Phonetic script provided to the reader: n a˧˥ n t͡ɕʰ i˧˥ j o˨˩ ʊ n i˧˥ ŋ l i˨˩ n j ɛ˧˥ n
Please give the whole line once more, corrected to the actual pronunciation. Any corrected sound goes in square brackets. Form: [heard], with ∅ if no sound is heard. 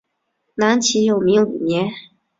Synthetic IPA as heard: n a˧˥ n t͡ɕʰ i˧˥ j o˨˩ ʊ [m] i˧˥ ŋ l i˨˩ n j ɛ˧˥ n